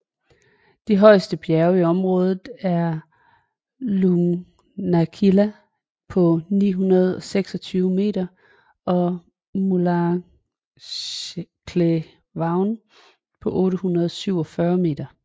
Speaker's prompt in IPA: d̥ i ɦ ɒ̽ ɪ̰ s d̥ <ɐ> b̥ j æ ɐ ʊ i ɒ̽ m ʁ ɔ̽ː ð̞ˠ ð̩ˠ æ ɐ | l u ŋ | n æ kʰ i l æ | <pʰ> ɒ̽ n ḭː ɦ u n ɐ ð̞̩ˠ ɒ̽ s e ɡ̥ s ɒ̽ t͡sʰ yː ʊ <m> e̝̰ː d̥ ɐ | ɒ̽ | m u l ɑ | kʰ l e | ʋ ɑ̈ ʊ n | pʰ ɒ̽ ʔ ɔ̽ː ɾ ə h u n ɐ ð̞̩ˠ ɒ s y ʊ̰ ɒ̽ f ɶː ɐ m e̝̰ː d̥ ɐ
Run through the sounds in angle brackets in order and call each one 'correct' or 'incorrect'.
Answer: incorrect: ə, correct, correct

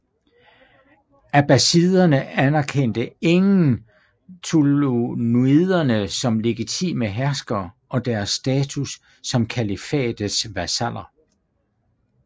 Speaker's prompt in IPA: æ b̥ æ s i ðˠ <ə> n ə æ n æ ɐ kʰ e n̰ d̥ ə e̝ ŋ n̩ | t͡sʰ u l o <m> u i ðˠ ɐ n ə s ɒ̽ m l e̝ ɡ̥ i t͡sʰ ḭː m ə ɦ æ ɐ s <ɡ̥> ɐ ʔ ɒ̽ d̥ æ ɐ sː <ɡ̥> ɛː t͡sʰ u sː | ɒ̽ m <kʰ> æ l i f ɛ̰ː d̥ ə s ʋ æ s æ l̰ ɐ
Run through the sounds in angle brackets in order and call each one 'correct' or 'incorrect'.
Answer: incorrect: ɐ, incorrect: n, correct, incorrect: d̥, correct

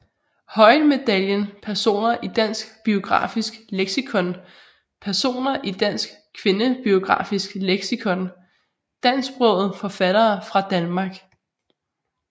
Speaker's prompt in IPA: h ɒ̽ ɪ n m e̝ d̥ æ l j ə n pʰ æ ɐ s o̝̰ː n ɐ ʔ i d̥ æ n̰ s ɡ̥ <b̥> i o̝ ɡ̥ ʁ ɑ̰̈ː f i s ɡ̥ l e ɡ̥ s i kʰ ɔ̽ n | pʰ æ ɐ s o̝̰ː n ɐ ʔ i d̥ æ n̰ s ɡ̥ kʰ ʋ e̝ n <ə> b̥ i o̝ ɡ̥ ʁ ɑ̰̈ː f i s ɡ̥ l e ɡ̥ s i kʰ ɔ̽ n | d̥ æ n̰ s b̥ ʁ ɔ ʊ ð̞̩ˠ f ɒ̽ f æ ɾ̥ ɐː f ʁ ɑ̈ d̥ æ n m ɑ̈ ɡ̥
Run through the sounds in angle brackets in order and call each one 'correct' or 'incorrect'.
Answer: correct, correct

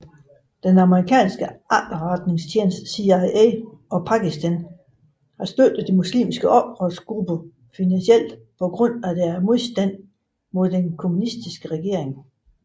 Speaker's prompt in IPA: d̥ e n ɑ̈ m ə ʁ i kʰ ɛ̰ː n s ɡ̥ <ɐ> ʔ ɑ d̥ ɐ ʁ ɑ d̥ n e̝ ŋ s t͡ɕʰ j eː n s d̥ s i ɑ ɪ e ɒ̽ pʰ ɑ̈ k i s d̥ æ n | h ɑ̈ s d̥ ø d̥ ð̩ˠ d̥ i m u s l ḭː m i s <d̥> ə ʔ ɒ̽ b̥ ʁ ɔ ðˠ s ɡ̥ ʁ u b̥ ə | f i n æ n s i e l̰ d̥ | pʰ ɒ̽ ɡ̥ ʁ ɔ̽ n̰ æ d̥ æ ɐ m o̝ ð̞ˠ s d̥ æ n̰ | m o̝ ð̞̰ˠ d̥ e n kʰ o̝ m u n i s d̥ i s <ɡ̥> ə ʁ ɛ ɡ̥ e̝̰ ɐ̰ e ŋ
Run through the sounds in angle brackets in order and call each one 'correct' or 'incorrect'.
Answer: incorrect: ə, incorrect: ɡ̥, correct

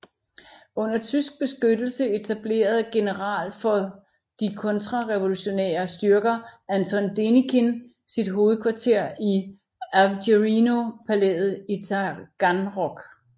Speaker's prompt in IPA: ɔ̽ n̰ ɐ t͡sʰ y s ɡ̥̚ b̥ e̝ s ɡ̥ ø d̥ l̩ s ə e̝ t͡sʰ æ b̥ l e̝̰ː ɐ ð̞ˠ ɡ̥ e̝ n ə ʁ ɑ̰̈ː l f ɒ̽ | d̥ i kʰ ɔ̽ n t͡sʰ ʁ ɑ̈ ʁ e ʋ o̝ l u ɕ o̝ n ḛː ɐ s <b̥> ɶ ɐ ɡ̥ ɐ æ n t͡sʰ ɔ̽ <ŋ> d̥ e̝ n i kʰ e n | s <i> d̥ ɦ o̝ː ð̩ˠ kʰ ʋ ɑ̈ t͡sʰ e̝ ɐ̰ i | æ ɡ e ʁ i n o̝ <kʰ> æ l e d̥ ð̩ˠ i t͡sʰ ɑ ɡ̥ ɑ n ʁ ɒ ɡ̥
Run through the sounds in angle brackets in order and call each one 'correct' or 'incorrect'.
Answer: incorrect: d̥, incorrect: n, correct, incorrect: pʰ

